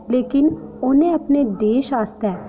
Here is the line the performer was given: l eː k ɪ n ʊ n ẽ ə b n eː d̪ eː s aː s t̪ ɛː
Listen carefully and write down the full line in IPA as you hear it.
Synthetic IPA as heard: l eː k ɪ n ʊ n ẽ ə p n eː d̪ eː ʃ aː s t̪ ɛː